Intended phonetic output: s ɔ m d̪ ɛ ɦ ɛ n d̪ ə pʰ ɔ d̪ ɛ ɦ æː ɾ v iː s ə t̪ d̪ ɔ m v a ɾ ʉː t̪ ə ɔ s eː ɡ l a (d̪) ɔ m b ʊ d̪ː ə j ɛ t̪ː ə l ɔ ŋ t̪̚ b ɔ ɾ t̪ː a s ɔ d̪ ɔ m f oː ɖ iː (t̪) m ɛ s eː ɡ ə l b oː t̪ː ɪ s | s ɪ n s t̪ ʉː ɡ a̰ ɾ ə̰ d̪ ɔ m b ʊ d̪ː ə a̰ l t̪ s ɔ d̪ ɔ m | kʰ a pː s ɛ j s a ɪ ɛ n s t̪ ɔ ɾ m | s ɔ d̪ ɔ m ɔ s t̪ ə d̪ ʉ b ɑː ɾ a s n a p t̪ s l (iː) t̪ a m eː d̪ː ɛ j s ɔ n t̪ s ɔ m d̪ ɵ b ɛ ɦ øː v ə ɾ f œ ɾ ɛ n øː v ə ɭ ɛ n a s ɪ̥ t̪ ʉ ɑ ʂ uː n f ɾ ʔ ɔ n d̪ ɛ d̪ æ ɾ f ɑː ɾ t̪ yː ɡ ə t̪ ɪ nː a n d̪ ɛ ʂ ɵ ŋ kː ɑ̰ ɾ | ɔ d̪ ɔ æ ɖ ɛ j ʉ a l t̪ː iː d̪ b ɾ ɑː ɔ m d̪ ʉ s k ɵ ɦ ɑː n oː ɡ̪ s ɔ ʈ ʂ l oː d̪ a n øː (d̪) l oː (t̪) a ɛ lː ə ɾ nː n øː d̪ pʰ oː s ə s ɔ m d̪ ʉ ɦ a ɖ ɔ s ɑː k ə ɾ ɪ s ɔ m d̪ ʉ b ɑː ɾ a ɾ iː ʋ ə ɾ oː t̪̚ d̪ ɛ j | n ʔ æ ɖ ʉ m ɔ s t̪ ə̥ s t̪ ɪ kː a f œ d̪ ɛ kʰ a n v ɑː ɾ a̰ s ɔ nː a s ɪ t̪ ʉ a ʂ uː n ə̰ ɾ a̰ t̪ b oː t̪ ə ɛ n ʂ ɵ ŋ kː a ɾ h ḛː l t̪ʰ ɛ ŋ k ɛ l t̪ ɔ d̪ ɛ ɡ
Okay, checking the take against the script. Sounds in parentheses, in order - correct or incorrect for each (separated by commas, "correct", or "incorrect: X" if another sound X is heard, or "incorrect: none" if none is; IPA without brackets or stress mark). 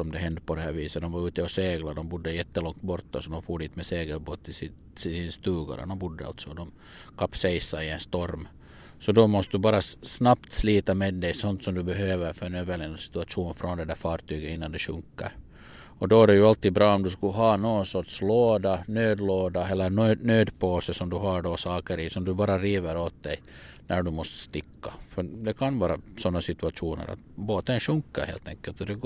correct, correct, correct, correct, incorrect: d̪